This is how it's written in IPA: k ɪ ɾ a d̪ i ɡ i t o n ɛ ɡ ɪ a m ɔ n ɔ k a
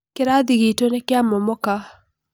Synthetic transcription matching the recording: k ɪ ɾ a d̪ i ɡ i t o n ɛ k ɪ a m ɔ m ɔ k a